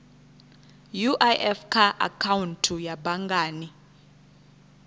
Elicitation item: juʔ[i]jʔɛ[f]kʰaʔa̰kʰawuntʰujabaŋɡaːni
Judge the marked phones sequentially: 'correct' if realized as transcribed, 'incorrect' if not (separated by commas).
incorrect, correct